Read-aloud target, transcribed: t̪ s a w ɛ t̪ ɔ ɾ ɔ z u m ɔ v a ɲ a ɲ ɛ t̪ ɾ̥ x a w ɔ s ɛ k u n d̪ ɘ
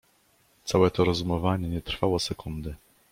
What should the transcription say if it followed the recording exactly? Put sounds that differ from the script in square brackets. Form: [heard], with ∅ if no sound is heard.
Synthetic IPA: t̪ s a w ɛ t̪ ɔ ɾ ɔ z u m ɔ v a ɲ [ɛ] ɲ ɛ t̪ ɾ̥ [f] a w ɔ s ɛ k u n d̪ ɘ